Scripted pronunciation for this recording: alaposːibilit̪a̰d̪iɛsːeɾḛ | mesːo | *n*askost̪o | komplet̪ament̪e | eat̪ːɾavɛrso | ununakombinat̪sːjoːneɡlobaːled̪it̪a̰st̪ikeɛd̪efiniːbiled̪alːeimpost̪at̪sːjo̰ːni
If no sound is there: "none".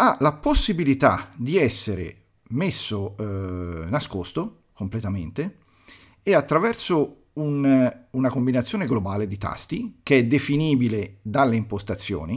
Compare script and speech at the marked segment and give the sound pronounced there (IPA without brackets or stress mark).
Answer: n